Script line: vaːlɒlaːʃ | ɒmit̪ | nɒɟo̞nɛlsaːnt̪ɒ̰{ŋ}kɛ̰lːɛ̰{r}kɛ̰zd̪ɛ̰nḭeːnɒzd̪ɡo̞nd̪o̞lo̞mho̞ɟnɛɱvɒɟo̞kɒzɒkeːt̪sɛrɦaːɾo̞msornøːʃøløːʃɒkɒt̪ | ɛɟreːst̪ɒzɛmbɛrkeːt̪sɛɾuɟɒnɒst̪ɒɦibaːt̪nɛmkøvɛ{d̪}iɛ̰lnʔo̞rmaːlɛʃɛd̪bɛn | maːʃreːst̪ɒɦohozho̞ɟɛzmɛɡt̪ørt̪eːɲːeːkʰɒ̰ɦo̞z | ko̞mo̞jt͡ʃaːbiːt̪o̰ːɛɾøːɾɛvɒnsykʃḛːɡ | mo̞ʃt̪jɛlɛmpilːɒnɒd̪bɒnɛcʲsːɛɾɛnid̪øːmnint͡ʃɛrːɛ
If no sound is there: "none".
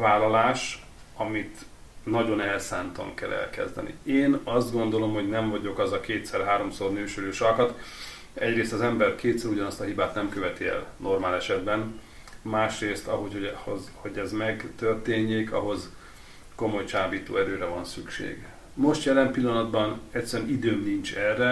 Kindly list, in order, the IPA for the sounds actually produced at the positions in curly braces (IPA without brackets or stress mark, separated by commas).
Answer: ŋ, l, t̪